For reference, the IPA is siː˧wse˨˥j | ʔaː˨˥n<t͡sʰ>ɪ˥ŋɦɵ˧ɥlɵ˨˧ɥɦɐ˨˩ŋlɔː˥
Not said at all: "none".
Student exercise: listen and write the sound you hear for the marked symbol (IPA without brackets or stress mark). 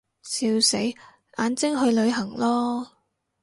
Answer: t͡s